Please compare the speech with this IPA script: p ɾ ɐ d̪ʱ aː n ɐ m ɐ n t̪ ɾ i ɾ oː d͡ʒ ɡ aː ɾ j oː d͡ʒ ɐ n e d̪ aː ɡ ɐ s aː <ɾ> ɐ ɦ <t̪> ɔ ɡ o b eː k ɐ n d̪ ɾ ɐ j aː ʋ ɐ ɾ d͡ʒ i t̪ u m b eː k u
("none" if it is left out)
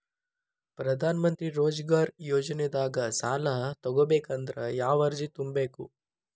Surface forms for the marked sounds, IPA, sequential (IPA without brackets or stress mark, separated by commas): l, t̪